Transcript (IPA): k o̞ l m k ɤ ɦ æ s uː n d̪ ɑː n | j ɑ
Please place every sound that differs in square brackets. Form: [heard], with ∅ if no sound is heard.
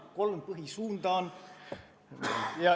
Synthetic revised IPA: k o̞ l m [p] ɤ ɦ [i] s uː n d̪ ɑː n | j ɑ